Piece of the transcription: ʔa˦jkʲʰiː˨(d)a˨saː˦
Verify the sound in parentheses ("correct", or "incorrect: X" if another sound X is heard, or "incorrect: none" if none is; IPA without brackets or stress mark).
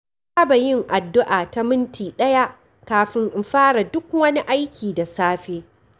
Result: correct